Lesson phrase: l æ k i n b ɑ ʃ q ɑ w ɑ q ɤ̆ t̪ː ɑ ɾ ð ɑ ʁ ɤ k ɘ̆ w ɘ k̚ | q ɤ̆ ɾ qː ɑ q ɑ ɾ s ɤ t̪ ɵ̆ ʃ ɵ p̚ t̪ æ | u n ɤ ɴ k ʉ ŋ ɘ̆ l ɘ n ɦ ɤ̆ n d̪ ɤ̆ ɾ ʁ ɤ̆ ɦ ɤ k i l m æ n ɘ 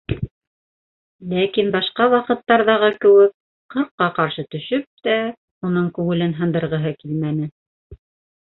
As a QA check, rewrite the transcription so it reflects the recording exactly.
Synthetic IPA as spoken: l æ k i n b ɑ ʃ q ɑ w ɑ q ɤ̆ t̪ː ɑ ɾ ð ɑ ʁ ɤ k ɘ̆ w ɘ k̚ | q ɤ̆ ɾ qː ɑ q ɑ ɾ ʃ ɤ t̪ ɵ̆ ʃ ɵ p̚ t̪ æ | u n ɤ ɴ k ʉ ŋ ɘ̆ l ɘ n ɦ ɤ̆ n d̪ ɤ̆ ɾ ʁ ɤ̆ ɦ ɤ k i l m æ n ɘ